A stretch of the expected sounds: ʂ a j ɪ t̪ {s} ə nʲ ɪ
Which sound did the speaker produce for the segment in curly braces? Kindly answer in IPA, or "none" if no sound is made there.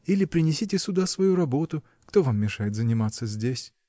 z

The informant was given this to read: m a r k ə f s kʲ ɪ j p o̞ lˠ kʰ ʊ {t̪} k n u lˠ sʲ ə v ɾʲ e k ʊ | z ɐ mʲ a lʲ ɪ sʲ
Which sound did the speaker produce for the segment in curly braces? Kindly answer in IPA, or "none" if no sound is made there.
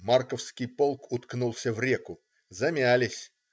t̪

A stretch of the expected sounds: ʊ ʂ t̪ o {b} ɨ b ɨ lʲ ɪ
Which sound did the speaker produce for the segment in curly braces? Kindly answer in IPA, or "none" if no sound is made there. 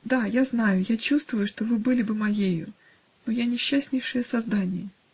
v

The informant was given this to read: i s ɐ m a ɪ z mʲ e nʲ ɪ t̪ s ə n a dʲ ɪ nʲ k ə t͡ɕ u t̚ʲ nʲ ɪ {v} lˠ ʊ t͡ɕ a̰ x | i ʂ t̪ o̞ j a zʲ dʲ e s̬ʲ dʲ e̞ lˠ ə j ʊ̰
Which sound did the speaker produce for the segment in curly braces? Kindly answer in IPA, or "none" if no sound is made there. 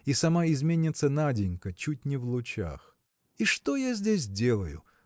v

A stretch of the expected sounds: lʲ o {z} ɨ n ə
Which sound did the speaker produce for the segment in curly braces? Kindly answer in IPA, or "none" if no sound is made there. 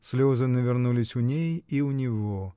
z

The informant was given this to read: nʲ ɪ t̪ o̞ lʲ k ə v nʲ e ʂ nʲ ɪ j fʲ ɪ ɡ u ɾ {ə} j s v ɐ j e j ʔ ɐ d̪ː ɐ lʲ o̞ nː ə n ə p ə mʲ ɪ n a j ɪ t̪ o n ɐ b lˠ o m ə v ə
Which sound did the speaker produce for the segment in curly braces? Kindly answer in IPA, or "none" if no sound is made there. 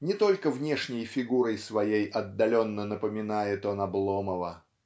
ə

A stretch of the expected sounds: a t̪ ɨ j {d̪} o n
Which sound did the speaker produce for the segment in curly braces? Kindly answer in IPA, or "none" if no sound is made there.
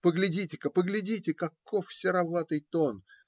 t̪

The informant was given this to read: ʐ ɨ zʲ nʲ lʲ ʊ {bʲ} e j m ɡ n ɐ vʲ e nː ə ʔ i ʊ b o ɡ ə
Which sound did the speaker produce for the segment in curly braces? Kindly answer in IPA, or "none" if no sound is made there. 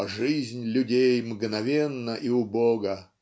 dʲ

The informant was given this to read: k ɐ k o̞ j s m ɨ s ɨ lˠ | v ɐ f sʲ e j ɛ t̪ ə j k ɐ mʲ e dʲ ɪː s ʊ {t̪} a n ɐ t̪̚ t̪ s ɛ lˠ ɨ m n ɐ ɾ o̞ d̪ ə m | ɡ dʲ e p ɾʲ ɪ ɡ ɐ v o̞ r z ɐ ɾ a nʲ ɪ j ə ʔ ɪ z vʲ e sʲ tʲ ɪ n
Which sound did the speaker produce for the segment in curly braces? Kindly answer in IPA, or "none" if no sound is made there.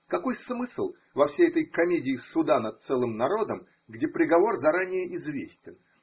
d̪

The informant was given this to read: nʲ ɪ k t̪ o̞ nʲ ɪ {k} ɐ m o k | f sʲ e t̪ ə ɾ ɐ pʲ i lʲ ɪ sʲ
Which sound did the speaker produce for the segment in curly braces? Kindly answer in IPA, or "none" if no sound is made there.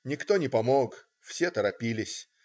p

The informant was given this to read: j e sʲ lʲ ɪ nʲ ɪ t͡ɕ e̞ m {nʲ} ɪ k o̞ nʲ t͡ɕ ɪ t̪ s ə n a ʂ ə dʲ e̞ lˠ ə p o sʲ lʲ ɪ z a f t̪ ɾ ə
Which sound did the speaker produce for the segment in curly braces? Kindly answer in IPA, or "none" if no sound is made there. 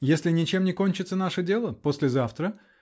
nʲ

